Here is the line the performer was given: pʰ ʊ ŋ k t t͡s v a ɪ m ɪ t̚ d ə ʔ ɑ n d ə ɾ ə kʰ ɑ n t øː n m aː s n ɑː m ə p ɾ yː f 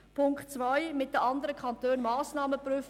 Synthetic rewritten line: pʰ ʊ ŋ k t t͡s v a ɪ m ɪ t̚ d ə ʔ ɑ n d ə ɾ ə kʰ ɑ n t øː n m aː s n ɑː m ə p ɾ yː f